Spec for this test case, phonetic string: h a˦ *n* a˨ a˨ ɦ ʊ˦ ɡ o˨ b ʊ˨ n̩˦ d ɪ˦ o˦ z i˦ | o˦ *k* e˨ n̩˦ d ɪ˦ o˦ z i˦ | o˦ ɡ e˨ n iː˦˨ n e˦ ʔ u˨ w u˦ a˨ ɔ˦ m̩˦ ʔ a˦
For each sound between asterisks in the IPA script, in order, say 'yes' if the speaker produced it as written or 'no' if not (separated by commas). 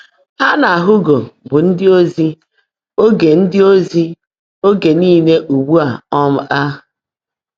yes, no